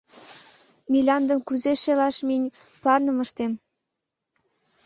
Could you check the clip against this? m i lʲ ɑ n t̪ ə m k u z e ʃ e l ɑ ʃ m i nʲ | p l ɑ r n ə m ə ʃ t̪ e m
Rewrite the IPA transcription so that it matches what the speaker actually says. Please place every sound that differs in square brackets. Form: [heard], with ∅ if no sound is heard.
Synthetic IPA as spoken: m i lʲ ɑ n [d̪] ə m k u z e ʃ e l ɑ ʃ m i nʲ | p l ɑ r n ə m ə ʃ t̪ e m